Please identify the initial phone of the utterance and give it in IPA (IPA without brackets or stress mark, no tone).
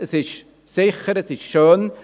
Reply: ə